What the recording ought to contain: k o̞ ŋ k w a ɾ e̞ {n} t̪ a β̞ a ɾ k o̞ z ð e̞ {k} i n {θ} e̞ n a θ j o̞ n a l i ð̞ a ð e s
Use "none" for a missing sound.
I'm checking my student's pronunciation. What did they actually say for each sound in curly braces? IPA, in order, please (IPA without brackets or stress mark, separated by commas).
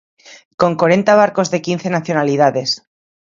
n, k, θ